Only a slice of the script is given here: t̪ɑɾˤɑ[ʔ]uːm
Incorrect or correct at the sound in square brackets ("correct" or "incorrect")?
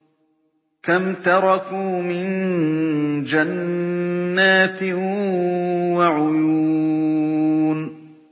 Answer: incorrect